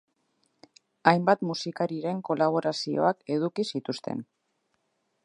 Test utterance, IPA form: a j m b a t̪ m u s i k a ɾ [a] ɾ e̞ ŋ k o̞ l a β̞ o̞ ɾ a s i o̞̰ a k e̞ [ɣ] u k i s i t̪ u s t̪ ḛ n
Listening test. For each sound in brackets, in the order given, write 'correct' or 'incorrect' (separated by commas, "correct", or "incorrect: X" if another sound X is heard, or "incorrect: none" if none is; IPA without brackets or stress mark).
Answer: incorrect: i, incorrect: ð